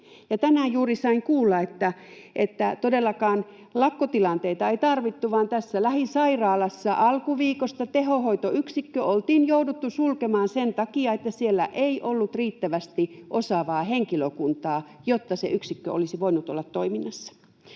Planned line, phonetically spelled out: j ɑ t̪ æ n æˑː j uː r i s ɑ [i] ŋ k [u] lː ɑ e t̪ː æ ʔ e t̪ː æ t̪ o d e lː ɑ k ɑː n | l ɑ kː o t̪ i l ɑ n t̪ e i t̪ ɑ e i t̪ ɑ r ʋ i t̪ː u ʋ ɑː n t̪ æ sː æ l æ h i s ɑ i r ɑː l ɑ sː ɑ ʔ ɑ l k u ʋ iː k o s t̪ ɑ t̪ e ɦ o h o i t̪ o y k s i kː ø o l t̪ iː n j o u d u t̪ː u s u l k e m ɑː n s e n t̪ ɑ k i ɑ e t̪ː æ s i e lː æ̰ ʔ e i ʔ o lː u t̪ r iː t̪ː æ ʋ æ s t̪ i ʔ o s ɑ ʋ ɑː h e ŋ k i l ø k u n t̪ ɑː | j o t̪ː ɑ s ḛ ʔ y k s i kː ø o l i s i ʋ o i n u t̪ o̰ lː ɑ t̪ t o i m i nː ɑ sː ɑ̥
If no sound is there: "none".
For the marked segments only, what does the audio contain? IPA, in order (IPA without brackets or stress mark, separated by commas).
i, uː